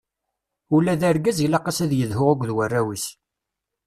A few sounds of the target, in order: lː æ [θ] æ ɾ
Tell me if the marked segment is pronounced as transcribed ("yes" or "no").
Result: no